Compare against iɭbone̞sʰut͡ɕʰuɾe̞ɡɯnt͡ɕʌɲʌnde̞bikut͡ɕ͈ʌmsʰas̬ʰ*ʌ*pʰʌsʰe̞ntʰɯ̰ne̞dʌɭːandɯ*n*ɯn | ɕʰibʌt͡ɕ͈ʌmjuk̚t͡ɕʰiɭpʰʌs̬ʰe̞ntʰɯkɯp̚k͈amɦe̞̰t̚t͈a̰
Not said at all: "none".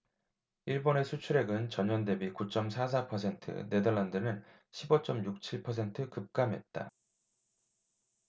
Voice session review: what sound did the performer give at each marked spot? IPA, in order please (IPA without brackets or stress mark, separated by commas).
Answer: a, n